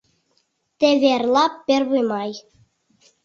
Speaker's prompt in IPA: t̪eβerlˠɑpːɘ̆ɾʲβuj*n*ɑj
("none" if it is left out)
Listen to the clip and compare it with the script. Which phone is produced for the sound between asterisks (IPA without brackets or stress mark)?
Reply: m